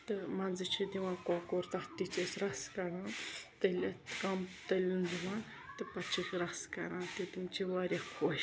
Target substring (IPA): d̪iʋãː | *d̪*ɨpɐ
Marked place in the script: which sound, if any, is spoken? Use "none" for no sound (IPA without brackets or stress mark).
t̪